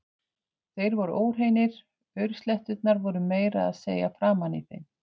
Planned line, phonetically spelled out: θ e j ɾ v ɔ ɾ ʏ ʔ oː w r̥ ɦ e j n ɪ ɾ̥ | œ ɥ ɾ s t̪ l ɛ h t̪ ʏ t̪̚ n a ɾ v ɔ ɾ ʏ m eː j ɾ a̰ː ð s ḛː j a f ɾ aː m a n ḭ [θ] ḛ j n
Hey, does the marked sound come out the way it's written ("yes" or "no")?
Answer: yes